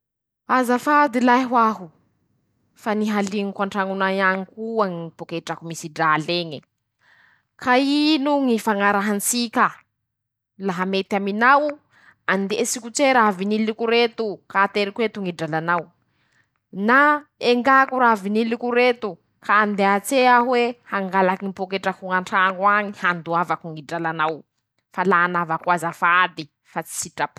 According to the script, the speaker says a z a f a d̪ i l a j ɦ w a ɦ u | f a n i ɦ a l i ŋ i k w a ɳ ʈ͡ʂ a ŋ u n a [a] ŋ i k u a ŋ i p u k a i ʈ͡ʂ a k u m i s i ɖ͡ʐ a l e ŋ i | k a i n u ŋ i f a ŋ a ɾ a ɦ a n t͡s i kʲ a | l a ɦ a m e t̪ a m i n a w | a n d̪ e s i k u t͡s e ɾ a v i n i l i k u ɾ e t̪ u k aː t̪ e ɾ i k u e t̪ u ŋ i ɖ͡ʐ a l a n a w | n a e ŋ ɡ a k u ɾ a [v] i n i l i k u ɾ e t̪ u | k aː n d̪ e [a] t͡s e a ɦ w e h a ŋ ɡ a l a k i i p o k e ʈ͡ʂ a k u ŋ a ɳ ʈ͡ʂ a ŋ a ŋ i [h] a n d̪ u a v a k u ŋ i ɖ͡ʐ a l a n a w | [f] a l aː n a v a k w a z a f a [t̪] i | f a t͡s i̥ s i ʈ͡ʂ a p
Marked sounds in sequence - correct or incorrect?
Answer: correct, correct, correct, correct, correct, incorrect: d̪

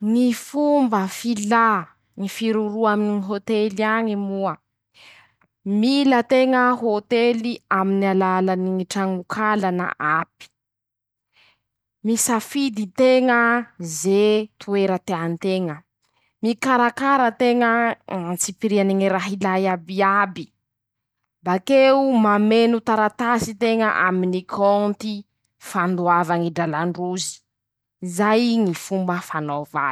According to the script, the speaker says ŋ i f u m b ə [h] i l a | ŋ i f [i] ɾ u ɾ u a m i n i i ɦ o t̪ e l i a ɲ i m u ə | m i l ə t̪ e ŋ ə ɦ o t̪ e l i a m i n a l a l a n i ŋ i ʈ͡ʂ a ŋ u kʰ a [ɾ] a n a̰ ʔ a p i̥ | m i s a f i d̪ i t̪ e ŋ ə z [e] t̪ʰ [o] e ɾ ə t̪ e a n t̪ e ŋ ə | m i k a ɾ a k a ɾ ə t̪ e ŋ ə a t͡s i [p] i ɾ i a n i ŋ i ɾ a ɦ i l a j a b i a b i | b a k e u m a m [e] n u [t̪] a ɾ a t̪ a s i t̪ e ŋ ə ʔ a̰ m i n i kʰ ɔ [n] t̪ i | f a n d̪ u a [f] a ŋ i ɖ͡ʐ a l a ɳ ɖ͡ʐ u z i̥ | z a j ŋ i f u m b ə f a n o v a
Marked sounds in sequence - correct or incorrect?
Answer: incorrect: f, correct, incorrect: l, correct, incorrect: u, correct, correct, correct, correct, incorrect: v

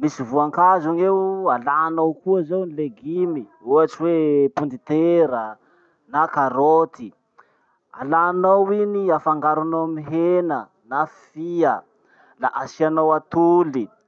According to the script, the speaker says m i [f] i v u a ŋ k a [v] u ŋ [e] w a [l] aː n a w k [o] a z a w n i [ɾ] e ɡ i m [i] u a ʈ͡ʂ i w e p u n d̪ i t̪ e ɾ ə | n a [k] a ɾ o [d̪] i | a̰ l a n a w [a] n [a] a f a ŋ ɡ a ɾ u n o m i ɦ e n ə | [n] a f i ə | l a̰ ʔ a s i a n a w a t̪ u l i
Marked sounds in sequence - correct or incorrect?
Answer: incorrect: s, incorrect: z, correct, correct, incorrect: u, incorrect: l, correct, correct, incorrect: t̪, incorrect: i, incorrect: i, correct

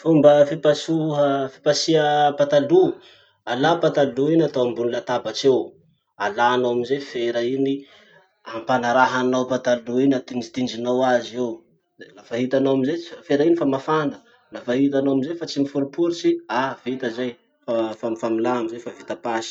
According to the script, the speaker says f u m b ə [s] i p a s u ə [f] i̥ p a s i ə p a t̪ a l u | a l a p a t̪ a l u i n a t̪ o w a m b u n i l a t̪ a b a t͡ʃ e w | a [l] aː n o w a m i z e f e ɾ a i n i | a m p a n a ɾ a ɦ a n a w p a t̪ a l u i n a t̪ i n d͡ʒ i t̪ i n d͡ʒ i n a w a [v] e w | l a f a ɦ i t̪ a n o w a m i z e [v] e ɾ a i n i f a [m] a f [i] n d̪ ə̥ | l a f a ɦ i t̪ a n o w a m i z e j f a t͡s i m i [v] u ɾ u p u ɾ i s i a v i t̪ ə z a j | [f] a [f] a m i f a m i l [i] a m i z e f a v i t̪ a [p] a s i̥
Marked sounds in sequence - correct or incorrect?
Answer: incorrect: f, correct, correct, incorrect: z, incorrect: f, correct, incorrect: a, incorrect: f, correct, correct, incorrect: a, correct

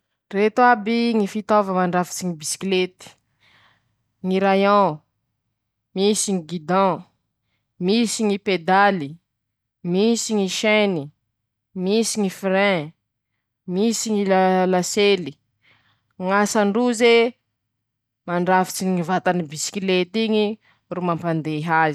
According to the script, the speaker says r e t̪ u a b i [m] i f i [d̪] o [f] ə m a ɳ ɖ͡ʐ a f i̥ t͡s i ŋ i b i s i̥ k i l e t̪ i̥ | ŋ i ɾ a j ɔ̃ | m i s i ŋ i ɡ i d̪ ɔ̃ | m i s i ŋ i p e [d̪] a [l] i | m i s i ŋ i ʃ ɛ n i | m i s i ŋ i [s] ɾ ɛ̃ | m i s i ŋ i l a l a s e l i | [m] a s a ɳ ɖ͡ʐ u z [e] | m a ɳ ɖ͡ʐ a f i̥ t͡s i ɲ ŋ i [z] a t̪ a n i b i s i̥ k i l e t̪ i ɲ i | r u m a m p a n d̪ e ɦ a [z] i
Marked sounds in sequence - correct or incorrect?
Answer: incorrect: ŋ, incorrect: t̪, incorrect: v, correct, correct, incorrect: f, incorrect: ŋ, correct, incorrect: v, correct

